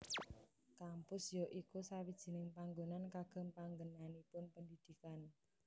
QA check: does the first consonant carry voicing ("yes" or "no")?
no